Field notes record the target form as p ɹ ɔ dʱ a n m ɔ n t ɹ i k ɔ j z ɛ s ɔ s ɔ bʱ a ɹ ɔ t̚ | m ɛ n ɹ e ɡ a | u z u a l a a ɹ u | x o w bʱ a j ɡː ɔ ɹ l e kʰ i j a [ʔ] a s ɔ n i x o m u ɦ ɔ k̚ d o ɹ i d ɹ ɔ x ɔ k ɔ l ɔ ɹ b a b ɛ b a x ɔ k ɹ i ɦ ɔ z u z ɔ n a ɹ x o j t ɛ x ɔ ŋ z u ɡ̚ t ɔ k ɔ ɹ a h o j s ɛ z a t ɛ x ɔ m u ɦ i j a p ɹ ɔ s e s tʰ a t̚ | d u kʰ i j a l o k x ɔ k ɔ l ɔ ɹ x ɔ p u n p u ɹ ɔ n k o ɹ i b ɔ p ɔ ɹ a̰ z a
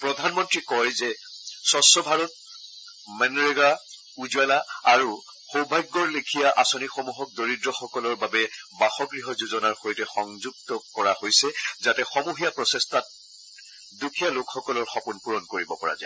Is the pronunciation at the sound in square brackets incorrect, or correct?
correct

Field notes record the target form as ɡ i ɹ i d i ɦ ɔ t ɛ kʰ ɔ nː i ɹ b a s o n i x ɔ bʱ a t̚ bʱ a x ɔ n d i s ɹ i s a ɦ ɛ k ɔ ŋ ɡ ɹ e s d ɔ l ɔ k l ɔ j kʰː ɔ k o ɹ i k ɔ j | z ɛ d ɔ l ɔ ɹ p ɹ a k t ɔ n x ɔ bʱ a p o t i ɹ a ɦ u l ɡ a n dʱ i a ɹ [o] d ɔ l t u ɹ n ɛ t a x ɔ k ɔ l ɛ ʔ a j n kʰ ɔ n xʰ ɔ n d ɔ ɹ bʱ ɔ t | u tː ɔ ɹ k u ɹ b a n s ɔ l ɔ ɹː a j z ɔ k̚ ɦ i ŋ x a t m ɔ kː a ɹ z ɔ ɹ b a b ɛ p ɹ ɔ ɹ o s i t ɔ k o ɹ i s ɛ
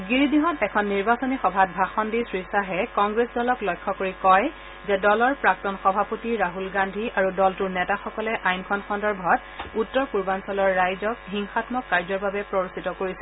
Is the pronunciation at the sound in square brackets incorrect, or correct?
incorrect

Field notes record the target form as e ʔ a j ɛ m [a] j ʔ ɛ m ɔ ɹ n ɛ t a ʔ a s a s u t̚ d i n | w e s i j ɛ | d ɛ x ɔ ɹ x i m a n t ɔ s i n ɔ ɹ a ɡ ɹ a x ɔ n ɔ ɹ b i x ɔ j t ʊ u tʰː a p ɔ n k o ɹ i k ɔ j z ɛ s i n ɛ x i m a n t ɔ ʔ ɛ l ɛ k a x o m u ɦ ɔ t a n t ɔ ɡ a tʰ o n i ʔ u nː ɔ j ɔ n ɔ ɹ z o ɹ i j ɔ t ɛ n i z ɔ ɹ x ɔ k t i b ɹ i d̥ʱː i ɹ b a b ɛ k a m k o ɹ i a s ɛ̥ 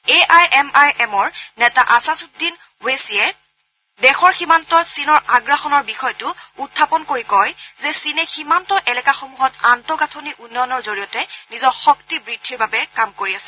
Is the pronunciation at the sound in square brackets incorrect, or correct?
correct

